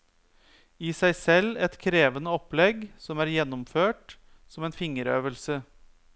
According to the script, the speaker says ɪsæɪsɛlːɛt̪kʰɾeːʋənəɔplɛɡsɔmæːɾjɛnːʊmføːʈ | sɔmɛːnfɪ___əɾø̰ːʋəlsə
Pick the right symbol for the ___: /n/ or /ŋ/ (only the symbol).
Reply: ŋ